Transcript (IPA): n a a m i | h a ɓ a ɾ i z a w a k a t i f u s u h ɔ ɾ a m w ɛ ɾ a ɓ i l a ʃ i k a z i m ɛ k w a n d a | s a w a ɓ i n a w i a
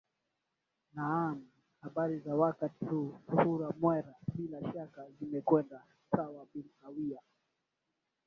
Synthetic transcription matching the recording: n a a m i | h a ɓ a ɾ i z a w a k a t i h u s u h u ɾ a m w ɛ ɾ a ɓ i l a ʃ a k a z i m ɛ k w ɛ n d a | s a w a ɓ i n a w i a

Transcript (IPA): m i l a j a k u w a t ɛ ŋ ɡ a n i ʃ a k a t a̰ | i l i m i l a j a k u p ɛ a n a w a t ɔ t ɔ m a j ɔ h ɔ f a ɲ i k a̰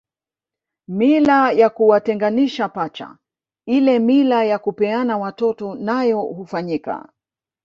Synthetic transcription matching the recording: m i l a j a k u w a t ɛ ŋ ɡ a n i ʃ a p a t͡ʃ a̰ | i l ɛ m i l a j a k u p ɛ a n a w a t ɔ t ɔ n a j ɔ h u f a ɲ i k a̰

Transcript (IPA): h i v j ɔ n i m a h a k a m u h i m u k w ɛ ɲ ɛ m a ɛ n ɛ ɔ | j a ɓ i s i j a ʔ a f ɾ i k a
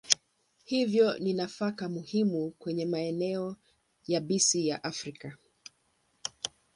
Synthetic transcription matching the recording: h i v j ɔ n i n a f a k a m u h i m u k w ɛ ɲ ɛ m a ɛ n ɛ ɔ | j a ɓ i s i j a ʔ a f ɾ i k a

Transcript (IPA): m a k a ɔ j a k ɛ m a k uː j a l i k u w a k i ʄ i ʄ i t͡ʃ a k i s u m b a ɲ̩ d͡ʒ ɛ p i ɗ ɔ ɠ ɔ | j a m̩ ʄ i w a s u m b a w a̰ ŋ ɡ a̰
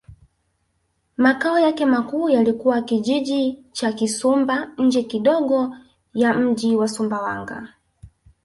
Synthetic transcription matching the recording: m a k a ɔ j a k ɛ m a k uː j a l i k u w a k i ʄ i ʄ i t͡ʃ a k i s u m b a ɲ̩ d͡ʒ ɛ k i ɗ ɔ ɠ ɔ | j a m̩ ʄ i w a s u m b a w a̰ ŋ ɡ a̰

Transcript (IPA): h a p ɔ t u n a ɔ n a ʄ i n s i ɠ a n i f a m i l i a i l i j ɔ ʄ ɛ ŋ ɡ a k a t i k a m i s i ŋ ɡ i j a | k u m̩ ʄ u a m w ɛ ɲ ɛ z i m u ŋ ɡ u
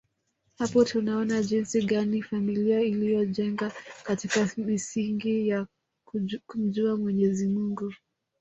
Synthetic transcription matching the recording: h a p ɔ t u n a ɔ n a ʄ i n s i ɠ a n i f a m i l i a i l i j ɔ ʄ ɛ ŋ ɡ a k a t i k a m i s i ŋ ɡ i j a | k u m̩ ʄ u a m w ɛ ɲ ɛ z i m u ŋ ɡ u

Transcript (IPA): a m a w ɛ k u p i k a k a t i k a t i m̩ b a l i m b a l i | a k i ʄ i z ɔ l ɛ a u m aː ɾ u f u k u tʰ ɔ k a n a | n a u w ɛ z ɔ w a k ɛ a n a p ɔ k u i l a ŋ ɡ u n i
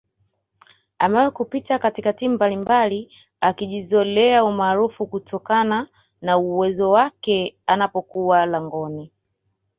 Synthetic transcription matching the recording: a m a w ɛ k u p i t a k a t i k a t i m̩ b a l i m b a l i | a k i ʄ i z ɔ l ɛ a u m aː ɾ u f u k u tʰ ɔ k a n a | n a u w ɛ z ɔ w a k ɛ a n a p ɔ k u a l a ŋ ɡ ɔ n i

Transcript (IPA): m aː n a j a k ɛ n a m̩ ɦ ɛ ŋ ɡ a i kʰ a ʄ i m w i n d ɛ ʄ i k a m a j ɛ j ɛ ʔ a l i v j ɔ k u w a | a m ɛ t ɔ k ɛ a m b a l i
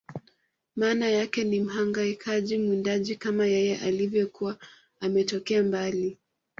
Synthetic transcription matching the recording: m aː n a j a k ɛ n i m̩ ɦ a ŋ ɡ a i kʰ a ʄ i m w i n d a ʄ i k a m a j ɛ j ɛ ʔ a l i v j ɔ k u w a | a m ɛ t ɔ k ɛ a m b a l i

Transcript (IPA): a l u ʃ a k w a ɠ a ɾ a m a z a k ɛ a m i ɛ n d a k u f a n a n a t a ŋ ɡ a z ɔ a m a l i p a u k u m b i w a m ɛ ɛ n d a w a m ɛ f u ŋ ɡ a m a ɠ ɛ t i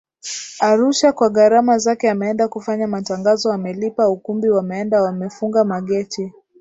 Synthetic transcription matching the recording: a ɾ u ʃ a k w a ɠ a ɾ a m a z a k ɛ a m ɛ ɛ n d a k u f a ɲ a m a t a ŋ ɡ a z ɔ a m ɛ l i p a u k u m b i w a m ɛ ɛ n d a w a m ɛ f u ŋ ɡ a m a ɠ ɛ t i

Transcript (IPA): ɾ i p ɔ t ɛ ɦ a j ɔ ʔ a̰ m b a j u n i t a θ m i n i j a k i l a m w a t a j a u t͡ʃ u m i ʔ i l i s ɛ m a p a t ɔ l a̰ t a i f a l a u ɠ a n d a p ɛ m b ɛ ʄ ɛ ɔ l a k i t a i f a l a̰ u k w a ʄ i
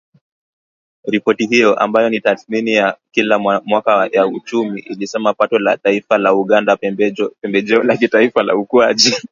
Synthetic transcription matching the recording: ɾ i p ɔ t i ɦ i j ɔ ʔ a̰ m b a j ɔ n i t a θ m i n i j a k i l a m w a k a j a u t͡ʃ u m i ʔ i l i s ɛ m a p a t ɔ l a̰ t a i f a l a u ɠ a n d a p ɛ m b ɛ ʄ ɛ ɔ l a k i t a i f a l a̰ u k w a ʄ i

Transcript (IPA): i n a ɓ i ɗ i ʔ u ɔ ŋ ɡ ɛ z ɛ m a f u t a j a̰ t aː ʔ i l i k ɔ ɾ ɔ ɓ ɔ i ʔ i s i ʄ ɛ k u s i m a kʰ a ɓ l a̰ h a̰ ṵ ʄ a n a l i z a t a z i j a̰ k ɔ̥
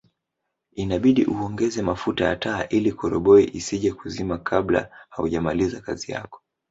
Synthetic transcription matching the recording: i n a ɓ i ɗ i ʔ u ɔ ŋ ɡ ɛ z ɛ m a f u t a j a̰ t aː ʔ i l i k ɔ ɾ ɔ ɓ ɔ i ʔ i s i ʄ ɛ k u z i m a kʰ a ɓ l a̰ h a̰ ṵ ʄ a m a l i z a k a z i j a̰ k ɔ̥

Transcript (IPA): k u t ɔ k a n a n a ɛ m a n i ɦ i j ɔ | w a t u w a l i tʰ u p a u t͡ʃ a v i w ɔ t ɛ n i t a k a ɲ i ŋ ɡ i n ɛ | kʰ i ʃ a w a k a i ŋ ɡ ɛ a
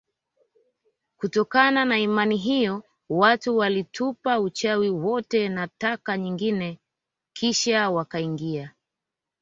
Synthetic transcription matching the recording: k u t ɔ k a n a n a i m a n i ɦ i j ɔ | w a t u w a l i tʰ u p a u t͡ʃ a w i w ɔ t ɛ n a t a k a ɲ i ŋ ɡ i n ɛ | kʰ i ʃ a w a k a i ŋ ɡ i a

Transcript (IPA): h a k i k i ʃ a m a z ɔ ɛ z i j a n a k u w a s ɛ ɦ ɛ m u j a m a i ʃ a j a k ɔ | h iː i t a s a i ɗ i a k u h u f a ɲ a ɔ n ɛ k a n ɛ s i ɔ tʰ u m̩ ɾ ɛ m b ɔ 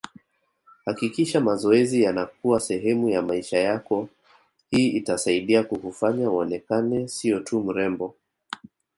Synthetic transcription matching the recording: h a k i k i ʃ a m a z ɔ ɛ z i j a n a k u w a s ɛ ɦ ɛ m u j a m a i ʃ a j a k ɔ | h iː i t a s a i ɗ i a k u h u f a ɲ a ɔ n ɛ k a n ɛ s i ɔ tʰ u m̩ ɾ ɛ m b ɔ

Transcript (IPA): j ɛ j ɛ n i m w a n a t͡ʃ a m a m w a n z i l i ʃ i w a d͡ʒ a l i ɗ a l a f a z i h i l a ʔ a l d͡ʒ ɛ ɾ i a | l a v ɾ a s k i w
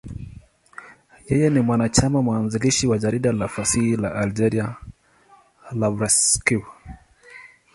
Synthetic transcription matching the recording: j ɛ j ɛ n i m w a n a t͡ʃ a m a m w a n z i l i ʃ i w a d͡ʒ a ɾ i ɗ a l a f a s i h i l a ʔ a l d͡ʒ ɛ ɾ i a | l a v ɾ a s k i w

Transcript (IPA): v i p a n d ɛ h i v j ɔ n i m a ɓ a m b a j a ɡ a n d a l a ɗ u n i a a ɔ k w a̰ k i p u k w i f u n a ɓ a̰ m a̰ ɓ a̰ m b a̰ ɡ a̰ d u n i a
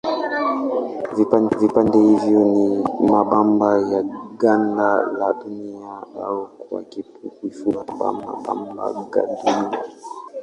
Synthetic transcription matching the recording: v i p a n d ɛ h i v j ɔ n i m a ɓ a m b a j a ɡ a n d a l a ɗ u n i a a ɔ k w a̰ k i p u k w i f u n a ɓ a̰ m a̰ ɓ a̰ m b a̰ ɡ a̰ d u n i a

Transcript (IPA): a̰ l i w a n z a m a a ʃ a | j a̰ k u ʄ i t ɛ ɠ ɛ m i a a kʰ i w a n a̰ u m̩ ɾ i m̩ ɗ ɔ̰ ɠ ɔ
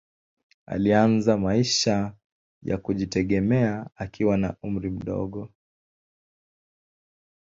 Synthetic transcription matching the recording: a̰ l i a n z a m a i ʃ a | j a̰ k u ʄ i t ɛ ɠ ɛ m ɛ a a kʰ i w a n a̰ u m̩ ɾ i m̩ ɗ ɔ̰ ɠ ɔ

